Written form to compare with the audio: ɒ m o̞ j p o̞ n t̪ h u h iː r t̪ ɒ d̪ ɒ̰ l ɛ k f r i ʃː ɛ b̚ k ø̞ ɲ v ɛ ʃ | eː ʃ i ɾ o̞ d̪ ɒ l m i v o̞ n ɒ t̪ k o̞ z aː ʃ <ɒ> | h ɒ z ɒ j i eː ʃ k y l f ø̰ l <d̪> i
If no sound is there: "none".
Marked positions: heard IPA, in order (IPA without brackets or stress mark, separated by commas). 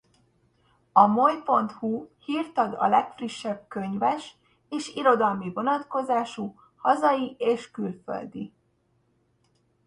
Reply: u, d̪